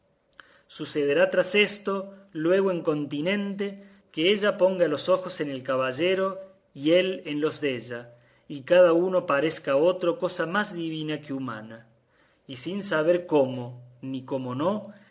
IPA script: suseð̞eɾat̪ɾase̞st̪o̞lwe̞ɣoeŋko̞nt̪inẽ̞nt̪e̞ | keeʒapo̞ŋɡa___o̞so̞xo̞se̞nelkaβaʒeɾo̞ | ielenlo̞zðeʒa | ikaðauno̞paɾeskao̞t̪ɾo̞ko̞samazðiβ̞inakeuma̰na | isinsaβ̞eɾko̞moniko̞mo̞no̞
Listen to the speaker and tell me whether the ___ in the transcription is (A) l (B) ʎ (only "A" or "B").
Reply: A